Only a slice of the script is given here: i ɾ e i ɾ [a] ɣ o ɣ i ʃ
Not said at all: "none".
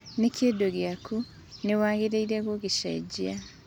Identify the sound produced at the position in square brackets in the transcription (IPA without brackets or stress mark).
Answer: e